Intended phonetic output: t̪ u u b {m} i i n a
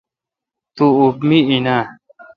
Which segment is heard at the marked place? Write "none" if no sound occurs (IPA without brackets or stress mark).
m